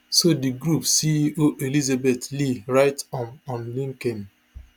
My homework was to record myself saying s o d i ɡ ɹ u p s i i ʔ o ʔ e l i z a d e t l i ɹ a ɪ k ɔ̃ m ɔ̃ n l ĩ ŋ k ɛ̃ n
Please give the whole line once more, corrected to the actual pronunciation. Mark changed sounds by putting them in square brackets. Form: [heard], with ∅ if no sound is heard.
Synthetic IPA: s o d i ɡ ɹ u p s i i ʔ o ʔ e l i z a [b] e t l i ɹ a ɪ [t] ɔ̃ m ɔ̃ n l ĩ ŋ k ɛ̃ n

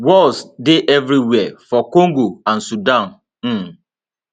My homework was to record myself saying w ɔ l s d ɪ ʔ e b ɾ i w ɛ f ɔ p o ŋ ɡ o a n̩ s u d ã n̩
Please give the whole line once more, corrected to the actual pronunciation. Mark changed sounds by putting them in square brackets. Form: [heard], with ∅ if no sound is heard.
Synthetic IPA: w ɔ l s d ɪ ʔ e [v] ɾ i w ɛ f ɔ [k] o ŋ ɡ o a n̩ s u d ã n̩

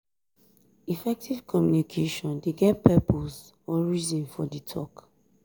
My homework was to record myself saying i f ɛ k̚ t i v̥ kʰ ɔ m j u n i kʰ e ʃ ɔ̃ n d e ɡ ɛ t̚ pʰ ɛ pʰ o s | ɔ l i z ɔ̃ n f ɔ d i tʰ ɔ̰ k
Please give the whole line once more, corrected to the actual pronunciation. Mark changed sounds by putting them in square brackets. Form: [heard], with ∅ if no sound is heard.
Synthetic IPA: i f ɛ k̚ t i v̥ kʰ ɔ m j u n i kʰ e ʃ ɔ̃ n d e ɡ ɛ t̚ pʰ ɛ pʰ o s | ɔ [ɹ] i z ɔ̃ n f ɔ d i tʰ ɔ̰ k

